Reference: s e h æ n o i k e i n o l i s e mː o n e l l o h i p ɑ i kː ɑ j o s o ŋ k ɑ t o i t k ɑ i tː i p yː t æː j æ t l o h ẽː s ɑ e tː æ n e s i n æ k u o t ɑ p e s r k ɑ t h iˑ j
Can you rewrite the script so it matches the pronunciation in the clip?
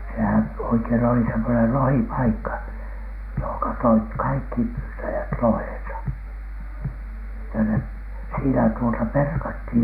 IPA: s e h æ n o i k e i n o l i s e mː o n e l l o h i p ɑ i kː ɑ j o h o ŋ k ɑ t o i t k ɑ i kː i p yː t æ j æ t l o h ẽː s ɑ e tː æ n e s iː n æ t u o t ɑ p e r k ɑ t h iˑ j